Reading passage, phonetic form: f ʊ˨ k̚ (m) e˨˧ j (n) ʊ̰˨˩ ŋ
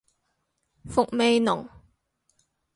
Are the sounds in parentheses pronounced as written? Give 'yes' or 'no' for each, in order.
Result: yes, yes

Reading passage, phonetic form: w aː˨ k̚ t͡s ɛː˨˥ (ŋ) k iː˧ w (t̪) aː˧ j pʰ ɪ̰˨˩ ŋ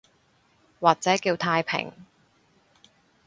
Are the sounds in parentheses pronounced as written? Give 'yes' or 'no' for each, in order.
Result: no, no

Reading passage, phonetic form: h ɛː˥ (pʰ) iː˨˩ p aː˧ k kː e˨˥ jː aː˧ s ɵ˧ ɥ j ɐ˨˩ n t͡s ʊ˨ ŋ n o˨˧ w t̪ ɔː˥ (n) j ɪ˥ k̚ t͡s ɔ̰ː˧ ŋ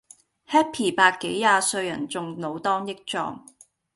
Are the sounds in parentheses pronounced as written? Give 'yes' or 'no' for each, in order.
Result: yes, no

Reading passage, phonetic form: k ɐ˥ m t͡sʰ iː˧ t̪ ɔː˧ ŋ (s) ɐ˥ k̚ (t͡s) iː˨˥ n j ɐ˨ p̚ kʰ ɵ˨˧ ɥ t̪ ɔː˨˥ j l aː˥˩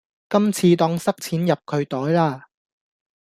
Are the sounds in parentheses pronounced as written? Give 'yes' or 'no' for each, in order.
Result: yes, no

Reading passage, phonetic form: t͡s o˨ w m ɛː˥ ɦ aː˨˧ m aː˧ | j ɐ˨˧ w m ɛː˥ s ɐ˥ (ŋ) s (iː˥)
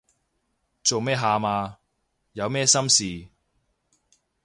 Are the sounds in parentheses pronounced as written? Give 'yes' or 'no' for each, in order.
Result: no, no

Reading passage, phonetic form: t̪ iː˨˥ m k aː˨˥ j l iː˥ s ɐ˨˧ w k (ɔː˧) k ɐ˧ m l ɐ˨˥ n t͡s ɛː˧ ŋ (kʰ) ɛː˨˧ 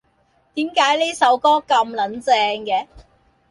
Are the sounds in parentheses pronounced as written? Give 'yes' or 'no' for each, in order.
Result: no, no

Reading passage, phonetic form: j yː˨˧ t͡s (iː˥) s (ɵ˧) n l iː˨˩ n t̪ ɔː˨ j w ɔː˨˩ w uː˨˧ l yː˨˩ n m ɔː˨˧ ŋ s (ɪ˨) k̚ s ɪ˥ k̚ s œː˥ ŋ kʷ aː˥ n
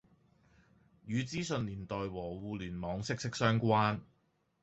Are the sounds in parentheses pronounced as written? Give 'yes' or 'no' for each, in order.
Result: yes, yes, no

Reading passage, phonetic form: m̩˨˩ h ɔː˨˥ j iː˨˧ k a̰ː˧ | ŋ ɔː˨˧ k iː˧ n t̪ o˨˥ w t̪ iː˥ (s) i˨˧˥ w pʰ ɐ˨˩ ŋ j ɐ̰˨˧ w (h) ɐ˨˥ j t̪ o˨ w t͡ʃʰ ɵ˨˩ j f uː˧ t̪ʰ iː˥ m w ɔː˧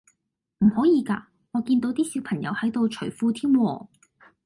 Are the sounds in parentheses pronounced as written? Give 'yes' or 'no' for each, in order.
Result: yes, yes

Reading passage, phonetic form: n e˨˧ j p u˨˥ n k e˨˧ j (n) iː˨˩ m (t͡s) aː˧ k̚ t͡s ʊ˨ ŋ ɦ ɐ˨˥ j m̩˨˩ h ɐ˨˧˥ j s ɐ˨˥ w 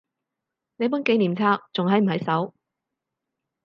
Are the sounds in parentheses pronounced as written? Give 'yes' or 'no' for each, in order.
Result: yes, no

